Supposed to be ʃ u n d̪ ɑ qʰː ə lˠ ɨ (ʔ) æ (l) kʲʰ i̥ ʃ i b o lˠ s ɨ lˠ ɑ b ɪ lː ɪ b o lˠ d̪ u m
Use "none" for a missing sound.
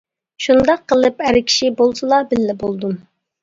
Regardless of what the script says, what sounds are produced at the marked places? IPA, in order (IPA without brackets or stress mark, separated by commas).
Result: p, ɾ